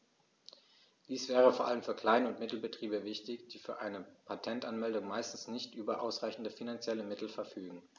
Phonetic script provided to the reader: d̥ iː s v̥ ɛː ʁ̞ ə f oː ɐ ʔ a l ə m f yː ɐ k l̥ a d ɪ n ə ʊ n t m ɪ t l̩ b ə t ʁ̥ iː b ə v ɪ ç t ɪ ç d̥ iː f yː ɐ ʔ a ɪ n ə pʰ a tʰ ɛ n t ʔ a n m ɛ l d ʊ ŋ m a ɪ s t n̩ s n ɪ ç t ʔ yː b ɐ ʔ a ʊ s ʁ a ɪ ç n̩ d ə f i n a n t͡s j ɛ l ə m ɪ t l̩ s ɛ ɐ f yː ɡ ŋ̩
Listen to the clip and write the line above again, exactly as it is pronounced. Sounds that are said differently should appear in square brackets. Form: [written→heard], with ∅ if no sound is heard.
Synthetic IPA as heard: d̥ iː s v̥ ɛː ʁ̞ ə f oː ɐ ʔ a l ə m f yː ɐ k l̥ a [d→∅] ɪ n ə ʊ n t m ɪ t l̩ b ə t ʁ̥ iː b ə v ɪ ç t ɪ ç d̥ iː f yː ɐ ʔ a ɪ n ə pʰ a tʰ ɛ n t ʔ a n m ɛ l d ʊ ŋ m a ɪ s t n̩ s n ɪ ç t ʔ yː b ɐ ʔ a ʊ s ʁ a ɪ ç n̩ d ə f i n a n t͡s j ɛ l ə m ɪ t l̩ [s→f] ɛ ɐ f yː ɡ ŋ̩